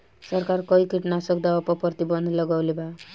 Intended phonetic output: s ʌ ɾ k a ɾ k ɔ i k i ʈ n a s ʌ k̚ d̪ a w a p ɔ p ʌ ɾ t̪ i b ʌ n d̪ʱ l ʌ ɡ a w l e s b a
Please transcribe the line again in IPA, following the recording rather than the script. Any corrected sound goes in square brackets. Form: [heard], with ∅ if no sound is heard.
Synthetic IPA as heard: s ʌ ɾ k a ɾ k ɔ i k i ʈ n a s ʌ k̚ d̪ a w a p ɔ p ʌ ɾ t̪ i b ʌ n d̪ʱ l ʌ ɡ a w l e [∅] b a